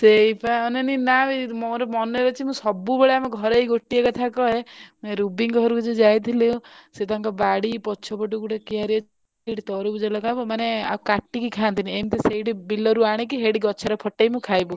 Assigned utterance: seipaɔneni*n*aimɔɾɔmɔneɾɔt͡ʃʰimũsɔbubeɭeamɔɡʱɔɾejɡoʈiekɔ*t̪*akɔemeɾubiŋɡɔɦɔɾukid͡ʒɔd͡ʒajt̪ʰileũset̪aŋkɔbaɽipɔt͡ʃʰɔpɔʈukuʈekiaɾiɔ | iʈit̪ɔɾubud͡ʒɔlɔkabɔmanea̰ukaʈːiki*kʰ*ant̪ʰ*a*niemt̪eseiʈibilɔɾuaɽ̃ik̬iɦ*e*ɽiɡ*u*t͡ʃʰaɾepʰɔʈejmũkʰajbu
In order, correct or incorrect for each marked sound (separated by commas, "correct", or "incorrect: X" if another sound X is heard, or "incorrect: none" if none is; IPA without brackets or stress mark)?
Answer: correct, incorrect: t̪ʰ, correct, incorrect: i, correct, incorrect: ɔ